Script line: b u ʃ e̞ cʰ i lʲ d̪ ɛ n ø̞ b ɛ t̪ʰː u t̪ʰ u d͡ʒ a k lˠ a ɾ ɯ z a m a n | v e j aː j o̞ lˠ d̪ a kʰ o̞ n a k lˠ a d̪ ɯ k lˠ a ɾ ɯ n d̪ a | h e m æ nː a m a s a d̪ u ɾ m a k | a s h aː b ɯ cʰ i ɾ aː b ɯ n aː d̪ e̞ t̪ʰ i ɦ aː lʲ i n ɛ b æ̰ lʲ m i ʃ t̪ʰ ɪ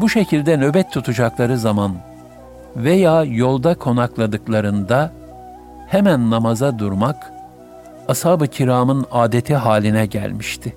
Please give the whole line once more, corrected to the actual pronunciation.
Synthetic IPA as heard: b u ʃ e̞ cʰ i lʲ d̪ ɛ n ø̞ b ɛ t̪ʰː u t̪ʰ u d͡ʒ a k lˠ a ɾ ɯ z a m a n | v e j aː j o̞ lˠ d̪ a kʰ o̞ n a k lˠ a d̪ ɯ k lˠ a ɾ ɯ n d̪ a | h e m æ nː a m a z a d̪ u ɾ m a k | a s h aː b ɯ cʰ i ɾ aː m ɯ n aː d̪ e̞ t̪ʰ i ɦ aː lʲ i n ɛ ɟ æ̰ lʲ m i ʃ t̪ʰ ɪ